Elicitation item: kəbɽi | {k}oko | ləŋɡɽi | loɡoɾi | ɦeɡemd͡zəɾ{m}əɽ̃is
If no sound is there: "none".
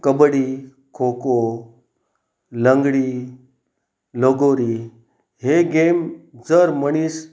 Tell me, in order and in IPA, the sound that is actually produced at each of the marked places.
kʰ, m

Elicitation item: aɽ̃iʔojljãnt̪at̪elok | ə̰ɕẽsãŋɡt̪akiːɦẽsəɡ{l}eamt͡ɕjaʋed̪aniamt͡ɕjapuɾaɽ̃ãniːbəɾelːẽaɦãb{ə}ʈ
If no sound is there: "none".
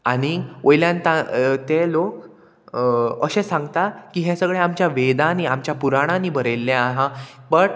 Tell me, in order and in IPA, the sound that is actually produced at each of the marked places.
ɭ, ə

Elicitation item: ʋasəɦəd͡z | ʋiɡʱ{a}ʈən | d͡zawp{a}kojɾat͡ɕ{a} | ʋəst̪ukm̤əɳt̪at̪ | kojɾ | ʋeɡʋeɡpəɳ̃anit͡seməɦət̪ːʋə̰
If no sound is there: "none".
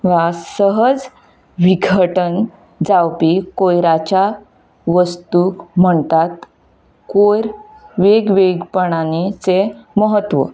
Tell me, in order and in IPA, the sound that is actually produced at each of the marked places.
ə, i, a

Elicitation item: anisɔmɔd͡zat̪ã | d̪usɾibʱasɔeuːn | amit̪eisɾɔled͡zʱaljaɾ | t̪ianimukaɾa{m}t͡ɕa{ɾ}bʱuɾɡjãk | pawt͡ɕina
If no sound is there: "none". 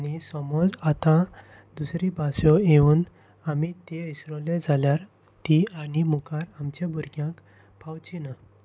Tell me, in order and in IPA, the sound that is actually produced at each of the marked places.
m, none

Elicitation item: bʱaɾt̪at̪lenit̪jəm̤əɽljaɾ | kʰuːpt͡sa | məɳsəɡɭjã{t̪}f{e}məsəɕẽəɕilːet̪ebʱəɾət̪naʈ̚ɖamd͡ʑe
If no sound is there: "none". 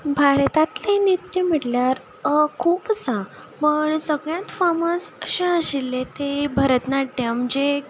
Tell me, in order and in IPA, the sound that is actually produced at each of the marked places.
t̪, a

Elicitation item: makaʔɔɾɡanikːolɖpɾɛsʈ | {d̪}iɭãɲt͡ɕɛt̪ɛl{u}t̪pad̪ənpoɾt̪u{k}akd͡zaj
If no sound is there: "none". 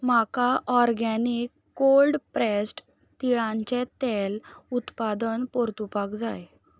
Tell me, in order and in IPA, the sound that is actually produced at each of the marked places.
t̪, u, p

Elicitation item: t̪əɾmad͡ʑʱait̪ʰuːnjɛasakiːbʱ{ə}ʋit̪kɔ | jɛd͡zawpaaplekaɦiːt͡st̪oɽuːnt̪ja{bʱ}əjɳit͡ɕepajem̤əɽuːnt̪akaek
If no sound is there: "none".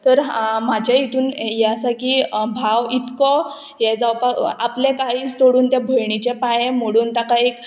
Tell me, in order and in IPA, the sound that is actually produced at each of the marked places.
a, bʱ

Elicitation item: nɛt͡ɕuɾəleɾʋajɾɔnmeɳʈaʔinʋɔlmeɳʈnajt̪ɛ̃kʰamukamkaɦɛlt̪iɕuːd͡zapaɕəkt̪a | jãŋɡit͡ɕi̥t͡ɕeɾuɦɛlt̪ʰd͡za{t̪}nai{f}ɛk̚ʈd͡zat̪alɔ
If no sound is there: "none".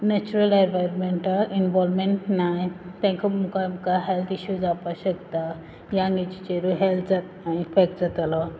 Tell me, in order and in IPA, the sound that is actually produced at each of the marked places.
t̪, f

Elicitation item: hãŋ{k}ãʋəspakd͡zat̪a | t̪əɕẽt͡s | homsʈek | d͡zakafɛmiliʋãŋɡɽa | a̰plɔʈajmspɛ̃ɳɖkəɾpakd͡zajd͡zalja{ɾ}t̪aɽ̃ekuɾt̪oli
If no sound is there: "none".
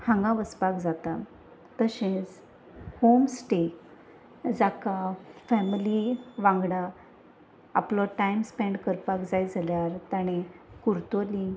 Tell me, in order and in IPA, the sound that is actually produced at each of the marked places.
ɡ, ɾ

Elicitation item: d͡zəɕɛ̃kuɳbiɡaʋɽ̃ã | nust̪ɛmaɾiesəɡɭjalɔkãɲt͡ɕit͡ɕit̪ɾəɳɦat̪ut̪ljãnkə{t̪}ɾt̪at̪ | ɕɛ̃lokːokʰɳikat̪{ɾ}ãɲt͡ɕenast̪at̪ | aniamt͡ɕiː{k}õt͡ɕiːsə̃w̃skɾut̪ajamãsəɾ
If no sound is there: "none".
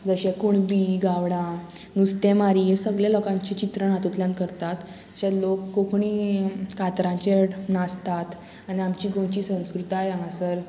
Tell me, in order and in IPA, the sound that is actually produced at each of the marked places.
none, ɾ, ɡ

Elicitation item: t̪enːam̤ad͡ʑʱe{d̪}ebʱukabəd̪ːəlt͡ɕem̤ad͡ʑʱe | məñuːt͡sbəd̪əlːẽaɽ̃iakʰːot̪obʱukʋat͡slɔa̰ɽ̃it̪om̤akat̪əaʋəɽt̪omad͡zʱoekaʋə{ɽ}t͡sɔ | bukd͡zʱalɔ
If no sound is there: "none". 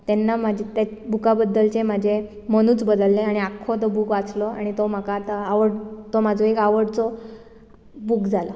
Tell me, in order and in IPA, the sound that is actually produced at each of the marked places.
t̪, ɽ

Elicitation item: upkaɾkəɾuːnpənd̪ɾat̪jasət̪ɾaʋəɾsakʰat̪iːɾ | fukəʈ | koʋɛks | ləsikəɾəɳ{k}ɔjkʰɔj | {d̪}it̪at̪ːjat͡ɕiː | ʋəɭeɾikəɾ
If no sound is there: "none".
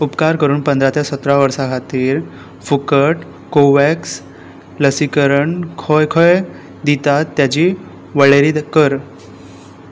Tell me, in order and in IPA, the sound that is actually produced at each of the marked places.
kʰ, d̪

